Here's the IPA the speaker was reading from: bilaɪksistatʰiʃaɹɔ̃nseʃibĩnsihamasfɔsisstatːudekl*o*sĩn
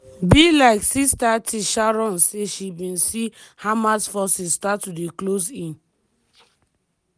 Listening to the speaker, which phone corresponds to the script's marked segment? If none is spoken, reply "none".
o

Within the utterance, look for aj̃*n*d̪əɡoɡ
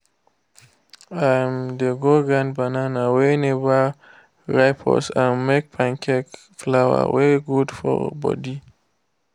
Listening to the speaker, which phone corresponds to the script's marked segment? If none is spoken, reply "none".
m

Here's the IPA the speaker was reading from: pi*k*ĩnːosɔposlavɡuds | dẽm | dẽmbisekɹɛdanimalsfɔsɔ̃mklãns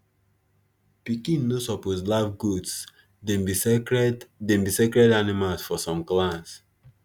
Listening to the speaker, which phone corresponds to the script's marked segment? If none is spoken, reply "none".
k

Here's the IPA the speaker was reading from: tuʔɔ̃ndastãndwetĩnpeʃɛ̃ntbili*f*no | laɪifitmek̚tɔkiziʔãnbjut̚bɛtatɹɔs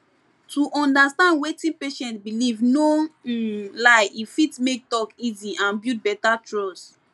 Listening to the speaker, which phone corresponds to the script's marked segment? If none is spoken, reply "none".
v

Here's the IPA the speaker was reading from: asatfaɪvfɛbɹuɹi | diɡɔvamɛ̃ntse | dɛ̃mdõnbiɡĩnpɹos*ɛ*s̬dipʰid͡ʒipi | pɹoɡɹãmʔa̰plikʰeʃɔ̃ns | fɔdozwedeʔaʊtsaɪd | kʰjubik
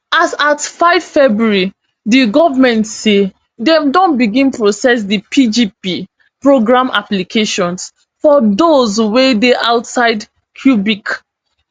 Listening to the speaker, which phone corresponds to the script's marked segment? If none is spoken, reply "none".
ɛ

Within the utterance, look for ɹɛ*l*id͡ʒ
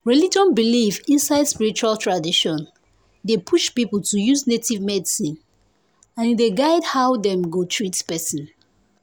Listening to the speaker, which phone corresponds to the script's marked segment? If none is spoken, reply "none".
l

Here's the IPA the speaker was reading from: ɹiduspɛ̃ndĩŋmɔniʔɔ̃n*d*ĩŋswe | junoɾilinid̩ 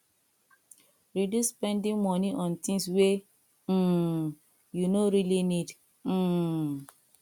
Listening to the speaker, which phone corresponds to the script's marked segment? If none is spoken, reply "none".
t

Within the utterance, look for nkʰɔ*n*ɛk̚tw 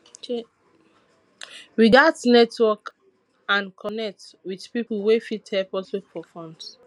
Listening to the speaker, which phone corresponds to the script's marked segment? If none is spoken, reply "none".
n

